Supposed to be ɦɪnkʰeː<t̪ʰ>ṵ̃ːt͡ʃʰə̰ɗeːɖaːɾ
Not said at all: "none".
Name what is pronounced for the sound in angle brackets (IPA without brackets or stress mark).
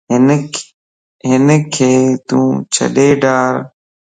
t̪